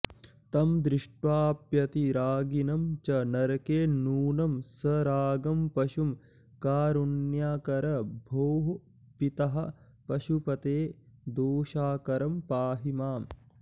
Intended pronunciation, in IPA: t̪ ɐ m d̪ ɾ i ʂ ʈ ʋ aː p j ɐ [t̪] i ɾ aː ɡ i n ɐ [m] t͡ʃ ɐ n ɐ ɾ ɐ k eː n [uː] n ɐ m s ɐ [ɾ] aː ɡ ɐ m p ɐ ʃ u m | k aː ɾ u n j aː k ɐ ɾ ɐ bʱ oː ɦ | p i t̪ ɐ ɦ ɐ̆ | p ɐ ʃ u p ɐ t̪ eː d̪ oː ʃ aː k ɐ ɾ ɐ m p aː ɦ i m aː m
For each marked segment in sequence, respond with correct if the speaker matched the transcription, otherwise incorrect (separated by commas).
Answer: correct, correct, correct, correct